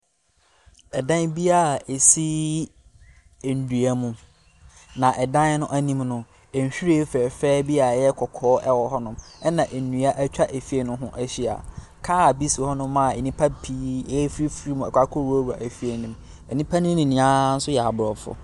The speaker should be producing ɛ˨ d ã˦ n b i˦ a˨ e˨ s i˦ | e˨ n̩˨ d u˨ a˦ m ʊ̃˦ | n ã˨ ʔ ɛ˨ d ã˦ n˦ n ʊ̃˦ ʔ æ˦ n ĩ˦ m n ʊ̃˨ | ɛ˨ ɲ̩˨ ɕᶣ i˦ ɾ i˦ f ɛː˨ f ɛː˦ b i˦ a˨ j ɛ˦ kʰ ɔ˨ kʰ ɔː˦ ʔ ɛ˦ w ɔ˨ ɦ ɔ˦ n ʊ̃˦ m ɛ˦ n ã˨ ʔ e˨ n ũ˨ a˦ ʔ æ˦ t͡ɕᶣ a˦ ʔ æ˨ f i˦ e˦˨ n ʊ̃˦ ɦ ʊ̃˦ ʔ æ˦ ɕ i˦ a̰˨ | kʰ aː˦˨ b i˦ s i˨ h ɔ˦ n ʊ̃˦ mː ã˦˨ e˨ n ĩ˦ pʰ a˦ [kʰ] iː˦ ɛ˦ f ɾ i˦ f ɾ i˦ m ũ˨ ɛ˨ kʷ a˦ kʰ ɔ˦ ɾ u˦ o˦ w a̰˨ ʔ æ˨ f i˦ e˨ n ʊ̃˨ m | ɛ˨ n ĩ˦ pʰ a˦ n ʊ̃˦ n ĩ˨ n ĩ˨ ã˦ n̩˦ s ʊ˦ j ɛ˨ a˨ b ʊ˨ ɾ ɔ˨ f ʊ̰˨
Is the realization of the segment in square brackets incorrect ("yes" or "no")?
yes